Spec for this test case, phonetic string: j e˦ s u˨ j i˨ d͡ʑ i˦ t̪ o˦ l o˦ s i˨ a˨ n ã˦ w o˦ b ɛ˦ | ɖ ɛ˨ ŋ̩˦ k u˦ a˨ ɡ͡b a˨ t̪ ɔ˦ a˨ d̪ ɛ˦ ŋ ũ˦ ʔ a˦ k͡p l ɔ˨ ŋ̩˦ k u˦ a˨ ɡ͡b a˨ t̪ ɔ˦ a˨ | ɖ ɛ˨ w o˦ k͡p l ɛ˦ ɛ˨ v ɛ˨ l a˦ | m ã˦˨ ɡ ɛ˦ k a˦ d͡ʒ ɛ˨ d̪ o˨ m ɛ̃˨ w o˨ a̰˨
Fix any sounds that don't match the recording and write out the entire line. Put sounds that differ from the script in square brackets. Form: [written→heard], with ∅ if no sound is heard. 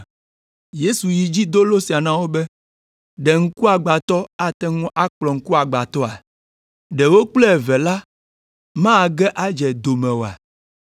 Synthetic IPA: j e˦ s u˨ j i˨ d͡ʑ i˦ [t̪→d̪] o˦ l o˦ s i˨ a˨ n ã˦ w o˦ b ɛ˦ | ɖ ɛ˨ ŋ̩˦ k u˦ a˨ ɡ͡b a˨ t̪ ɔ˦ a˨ [d̪→t̪] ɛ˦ ŋ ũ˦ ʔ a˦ k͡p l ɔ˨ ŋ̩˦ k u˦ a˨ ɡ͡b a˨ t̪ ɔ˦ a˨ | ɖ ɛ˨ w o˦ k͡p l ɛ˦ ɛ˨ v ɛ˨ l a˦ | m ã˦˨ ɡ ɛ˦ [k→ʔ] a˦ d͡ʒ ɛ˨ d̪ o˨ m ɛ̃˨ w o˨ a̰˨